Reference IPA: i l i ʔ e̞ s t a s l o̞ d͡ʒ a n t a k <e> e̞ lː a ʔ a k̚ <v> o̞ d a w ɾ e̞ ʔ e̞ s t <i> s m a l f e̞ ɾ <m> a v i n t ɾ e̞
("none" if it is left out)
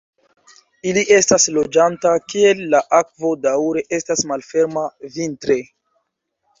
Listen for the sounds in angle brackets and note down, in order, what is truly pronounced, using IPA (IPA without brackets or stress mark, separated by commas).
i, v, a, m